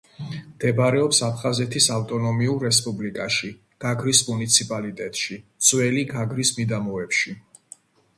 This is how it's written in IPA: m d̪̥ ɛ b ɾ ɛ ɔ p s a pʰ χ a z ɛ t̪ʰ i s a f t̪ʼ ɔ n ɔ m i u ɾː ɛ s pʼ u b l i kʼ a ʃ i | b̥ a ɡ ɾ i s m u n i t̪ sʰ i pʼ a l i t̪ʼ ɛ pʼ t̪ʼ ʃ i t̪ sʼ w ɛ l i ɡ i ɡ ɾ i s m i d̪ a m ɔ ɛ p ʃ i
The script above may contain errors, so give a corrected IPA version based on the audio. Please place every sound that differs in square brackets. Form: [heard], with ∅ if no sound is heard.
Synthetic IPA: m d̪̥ ɛ b ɾ ɛ ɔ p s a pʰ χ a z ɛ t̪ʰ i s a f t̪ʼ ɔ n ɔ m i u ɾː ɛ s pʼ u b l i kʼ a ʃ i | [ɡ̥] a ɡ ɾ i s m u n i t̪ sʰ i pʼ a l i t̪ʼ ɛ [∅] t̪ʼ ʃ i t̪ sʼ w ɛ l i ɡ [a] ɡ ɾ i s m i d̪ a m ɔ ɛ p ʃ i